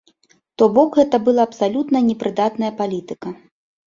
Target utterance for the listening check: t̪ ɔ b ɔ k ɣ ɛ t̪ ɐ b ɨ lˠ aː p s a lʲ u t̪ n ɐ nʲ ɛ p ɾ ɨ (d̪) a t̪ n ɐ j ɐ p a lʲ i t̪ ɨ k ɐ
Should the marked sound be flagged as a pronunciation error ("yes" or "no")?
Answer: no